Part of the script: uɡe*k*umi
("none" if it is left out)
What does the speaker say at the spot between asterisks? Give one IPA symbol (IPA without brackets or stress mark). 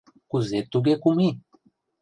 k